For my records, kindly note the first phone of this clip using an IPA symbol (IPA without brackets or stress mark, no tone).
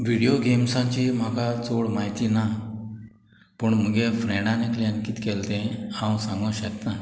ʋ